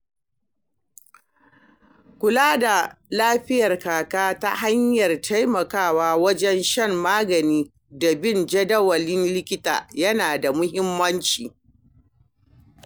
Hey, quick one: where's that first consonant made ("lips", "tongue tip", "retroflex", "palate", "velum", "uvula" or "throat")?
velum